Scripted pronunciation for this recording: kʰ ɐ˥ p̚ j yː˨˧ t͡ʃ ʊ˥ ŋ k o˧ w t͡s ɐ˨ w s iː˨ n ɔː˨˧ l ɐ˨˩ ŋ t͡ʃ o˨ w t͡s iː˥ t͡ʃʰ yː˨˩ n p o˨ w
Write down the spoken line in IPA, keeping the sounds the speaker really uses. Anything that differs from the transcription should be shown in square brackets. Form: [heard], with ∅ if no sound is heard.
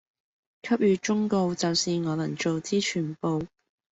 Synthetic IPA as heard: kʰ ɐ˥ p̚ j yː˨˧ t͡ʃ ʊ˥ ŋ k o˧ w t͡s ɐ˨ w s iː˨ [ŋ] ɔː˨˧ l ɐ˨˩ ŋ t͡ʃ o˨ w t͡s iː˥ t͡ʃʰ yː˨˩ n p o˨ w